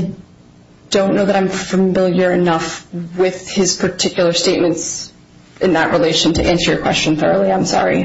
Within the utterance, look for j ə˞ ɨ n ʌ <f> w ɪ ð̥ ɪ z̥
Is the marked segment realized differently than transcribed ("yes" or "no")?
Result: no